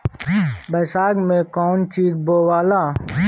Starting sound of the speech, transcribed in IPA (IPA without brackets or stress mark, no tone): b